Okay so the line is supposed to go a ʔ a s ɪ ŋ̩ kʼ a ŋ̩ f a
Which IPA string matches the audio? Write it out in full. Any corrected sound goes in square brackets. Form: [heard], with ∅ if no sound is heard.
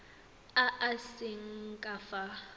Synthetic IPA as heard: a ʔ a s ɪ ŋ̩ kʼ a [∅] f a